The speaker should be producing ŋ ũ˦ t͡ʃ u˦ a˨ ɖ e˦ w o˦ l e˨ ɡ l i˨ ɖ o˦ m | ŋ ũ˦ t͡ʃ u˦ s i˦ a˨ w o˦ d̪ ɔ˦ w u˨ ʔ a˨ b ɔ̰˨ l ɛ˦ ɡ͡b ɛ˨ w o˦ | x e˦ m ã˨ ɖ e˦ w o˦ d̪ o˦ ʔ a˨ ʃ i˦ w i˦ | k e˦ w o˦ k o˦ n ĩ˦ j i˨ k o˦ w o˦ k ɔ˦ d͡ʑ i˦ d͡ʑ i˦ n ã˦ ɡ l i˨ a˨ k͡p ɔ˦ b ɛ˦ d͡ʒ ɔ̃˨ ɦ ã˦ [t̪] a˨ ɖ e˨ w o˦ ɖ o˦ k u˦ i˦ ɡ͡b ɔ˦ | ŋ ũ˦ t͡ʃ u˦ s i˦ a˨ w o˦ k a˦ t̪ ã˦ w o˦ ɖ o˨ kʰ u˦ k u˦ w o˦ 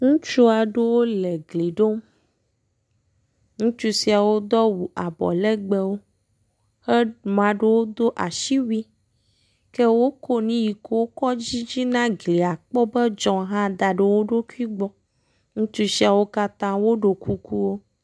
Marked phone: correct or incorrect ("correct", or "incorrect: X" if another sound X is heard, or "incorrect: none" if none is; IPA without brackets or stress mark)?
incorrect: d̪